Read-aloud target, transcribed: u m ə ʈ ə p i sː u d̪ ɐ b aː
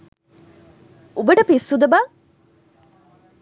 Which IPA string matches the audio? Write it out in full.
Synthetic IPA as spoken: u b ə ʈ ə p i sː u d̪ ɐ b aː